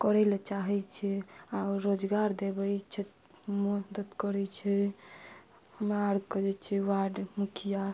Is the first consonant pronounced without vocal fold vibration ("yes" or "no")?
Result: yes